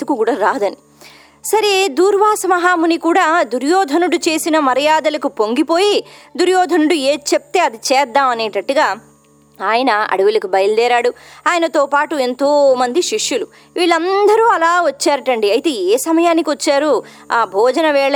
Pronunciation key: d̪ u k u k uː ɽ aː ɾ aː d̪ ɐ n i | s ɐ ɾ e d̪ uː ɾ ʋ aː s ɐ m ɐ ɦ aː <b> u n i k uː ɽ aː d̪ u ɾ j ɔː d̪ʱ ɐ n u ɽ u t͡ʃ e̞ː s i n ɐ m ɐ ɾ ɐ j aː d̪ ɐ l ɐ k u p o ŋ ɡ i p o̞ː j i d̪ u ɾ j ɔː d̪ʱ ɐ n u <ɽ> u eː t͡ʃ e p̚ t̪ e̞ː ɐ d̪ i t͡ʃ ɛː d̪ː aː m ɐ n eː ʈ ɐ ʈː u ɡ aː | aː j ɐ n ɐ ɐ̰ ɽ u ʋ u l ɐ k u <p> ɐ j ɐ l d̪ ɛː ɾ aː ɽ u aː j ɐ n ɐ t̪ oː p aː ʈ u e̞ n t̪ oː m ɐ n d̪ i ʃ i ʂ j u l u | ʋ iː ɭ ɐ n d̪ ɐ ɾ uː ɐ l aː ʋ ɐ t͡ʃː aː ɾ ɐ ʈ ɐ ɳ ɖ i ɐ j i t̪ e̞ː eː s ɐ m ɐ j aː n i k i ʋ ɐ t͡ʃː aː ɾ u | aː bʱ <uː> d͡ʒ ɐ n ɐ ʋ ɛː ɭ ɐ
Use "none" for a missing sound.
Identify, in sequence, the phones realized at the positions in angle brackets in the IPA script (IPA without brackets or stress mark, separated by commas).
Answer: m, ɽ, b, ɔː